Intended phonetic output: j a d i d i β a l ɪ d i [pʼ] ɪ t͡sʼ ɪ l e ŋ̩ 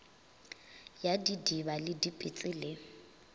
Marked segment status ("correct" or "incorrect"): correct